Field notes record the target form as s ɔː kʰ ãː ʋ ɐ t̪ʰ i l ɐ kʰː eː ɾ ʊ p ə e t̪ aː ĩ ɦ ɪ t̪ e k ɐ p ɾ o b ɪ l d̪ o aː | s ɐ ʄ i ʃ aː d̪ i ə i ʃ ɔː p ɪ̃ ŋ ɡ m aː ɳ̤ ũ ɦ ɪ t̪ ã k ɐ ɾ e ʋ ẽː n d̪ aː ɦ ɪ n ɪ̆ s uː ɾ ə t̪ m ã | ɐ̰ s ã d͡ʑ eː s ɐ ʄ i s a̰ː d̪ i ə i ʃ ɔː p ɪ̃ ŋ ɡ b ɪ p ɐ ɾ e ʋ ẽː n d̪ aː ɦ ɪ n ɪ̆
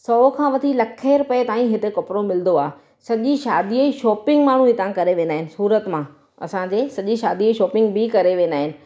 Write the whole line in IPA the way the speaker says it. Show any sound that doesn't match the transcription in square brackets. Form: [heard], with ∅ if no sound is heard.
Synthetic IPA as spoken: s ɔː kʰ ãː ʋ ɐ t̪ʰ i l ɐ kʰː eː ɾ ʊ p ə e t̪ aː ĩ ɦ ɪ t̪ e k ɐ p ɾ o [m] ɪ l d̪ o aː | s ɐ ʄ i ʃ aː d̪ i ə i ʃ ɔː p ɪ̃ ŋ ɡ m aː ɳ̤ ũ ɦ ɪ t̪ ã k ɐ ɾ e ʋ ẽː n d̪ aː ɦ ɪ n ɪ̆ s uː ɾ ə t̪ m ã | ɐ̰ s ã d͡ʑ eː s ɐ ʄ i [ʃ] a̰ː d̪ i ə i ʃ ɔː p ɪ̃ ŋ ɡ b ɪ [k] ɐ ɾ e ʋ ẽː n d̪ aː ɦ ɪ n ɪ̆